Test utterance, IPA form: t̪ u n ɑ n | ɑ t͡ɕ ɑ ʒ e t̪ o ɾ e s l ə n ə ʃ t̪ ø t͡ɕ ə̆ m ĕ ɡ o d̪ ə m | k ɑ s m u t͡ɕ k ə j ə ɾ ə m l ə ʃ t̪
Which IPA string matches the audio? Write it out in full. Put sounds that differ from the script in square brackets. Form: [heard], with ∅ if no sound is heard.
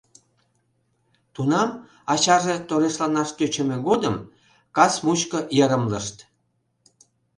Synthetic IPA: t̪ u n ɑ [m] | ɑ t͡ɕ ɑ ʒ e t̪ o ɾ e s l [ɑ] n [ɑ] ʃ t̪ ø t͡ɕ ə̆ m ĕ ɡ o d̪ ə m | k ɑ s m u t͡ɕ k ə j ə ɾ ə m l ə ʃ t̪